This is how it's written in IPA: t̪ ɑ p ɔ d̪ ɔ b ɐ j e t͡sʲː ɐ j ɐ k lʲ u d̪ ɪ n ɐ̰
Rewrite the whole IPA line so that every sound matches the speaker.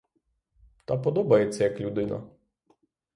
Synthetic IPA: t̪ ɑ p ɔ d̪ ɔ b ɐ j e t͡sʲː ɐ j ɐ k lʲ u d̪ ɪ n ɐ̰